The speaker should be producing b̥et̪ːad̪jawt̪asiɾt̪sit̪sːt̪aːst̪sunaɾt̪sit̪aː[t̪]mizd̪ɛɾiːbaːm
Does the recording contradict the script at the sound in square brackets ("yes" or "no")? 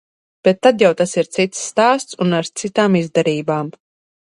yes